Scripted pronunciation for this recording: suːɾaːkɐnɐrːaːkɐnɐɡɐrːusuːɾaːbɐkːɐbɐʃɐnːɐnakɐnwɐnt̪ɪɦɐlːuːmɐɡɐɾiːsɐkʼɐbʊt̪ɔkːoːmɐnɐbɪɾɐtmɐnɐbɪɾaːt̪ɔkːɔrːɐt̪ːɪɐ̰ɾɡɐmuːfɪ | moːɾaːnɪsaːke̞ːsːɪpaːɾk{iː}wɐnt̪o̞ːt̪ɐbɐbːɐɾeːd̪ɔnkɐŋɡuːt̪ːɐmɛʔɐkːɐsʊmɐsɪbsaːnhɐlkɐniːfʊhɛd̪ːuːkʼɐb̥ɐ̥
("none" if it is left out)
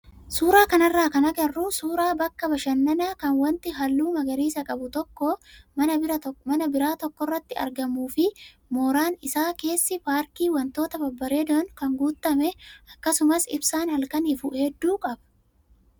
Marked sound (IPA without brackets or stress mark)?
iː